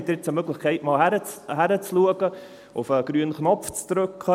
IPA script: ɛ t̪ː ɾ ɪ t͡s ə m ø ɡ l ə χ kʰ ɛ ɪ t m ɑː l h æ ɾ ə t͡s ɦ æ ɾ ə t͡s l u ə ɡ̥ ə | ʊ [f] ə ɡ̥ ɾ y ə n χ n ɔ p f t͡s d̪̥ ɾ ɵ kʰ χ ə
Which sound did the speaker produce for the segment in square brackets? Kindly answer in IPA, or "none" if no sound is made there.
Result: f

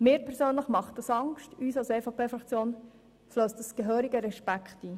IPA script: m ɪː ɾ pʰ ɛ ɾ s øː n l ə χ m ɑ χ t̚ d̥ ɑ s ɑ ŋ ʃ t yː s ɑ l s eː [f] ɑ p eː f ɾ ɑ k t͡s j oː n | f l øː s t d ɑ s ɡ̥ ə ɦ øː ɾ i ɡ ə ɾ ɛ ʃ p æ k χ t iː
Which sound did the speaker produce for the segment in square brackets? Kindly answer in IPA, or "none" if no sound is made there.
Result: f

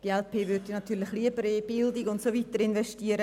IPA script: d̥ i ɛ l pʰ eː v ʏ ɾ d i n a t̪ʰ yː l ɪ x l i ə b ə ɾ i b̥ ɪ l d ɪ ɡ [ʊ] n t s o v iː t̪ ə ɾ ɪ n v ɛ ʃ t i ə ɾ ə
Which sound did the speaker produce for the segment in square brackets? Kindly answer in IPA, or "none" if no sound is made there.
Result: ʊ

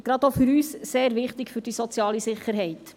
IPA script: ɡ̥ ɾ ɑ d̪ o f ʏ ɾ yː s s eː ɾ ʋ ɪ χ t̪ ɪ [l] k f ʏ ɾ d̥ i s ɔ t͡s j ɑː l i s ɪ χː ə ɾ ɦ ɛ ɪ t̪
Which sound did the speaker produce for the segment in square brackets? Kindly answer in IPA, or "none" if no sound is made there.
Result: none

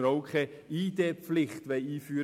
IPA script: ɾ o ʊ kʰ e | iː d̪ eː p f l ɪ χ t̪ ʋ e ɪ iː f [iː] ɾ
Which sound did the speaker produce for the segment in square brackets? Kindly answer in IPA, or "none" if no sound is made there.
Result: yː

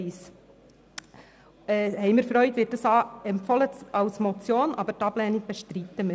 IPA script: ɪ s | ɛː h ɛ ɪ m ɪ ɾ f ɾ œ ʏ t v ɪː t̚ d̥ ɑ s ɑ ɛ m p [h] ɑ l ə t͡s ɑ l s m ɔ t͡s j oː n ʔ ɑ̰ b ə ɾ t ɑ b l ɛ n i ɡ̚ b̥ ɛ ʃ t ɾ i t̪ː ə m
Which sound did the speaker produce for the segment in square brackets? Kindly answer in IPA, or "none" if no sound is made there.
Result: f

